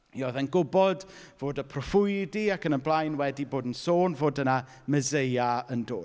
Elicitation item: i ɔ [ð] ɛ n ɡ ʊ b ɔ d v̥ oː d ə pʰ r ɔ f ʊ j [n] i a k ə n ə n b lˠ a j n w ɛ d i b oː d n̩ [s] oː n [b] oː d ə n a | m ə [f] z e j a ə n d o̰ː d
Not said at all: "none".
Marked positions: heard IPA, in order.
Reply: ð, d, s, v, none

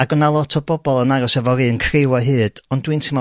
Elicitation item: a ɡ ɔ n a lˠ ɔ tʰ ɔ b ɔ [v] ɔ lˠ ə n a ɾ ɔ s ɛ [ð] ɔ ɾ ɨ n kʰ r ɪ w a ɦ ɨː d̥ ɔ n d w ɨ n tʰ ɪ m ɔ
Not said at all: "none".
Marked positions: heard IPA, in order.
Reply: b, v

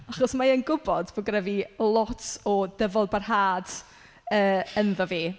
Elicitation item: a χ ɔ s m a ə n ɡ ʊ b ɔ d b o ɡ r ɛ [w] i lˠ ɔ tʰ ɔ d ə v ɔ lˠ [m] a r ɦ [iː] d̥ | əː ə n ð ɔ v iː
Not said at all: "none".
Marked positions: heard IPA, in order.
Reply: v, b, aː

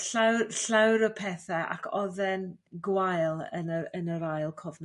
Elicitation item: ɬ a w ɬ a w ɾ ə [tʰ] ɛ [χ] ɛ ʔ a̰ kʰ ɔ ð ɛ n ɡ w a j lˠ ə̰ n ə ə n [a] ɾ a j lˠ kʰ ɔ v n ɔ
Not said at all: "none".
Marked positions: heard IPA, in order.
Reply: pʰ, θ, ə

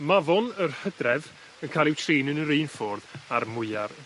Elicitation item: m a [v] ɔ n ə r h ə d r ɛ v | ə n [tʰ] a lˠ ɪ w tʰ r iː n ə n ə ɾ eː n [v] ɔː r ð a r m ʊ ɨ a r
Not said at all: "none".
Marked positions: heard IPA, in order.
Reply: v, kʰ, f

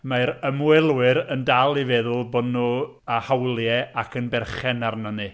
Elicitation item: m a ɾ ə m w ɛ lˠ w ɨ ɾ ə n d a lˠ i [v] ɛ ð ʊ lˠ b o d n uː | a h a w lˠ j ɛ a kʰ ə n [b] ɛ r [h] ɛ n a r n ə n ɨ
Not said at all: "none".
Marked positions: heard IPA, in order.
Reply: v, b, χ

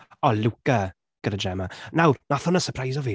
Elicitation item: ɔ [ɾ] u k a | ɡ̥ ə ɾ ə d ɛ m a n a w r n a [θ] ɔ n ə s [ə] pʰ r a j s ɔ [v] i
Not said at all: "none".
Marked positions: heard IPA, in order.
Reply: l, θ, ə, v

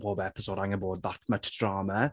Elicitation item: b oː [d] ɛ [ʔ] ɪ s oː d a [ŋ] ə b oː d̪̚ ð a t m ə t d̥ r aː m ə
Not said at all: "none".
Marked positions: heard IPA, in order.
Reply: b, p, ŋ

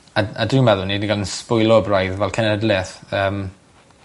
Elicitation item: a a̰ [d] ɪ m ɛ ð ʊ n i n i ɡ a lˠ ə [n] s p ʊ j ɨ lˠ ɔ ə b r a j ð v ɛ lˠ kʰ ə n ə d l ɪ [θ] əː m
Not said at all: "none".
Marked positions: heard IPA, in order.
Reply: d, n, θ

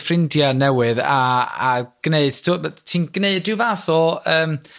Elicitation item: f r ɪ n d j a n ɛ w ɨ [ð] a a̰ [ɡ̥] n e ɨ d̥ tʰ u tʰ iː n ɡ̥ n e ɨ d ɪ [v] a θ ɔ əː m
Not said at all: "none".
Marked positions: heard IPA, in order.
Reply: ð, ɡ̥, v

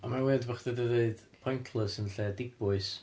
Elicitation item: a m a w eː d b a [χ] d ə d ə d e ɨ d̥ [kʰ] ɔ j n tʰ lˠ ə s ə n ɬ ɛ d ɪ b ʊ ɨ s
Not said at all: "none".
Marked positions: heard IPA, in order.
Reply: χ, pʰ

